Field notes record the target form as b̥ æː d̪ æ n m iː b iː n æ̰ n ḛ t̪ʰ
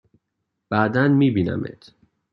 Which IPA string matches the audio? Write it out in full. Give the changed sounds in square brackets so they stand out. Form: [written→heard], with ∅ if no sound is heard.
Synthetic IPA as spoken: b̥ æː d̪ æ n m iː b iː n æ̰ [n→m] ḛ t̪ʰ